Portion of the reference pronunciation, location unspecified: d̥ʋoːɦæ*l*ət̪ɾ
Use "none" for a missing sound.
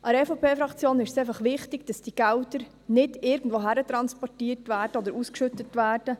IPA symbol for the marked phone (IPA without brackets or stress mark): ɾ